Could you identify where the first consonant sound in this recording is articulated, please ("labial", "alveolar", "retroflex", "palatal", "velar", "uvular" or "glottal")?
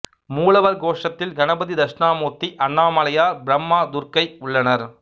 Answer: labial